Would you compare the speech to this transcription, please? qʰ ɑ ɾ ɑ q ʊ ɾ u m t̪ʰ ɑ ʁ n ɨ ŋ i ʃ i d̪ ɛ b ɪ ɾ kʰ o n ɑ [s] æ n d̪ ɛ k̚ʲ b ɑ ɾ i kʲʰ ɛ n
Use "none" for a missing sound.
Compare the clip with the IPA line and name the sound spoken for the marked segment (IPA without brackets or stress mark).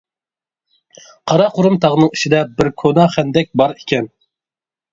χ